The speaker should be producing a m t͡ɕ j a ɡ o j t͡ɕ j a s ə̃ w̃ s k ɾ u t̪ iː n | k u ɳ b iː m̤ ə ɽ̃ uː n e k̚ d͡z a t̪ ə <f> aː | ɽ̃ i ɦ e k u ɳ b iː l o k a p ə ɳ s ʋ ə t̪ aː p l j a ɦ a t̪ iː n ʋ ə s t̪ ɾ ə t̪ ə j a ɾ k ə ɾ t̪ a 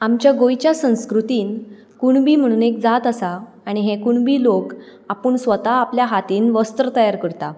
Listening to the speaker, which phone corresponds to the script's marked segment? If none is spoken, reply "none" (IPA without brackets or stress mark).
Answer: s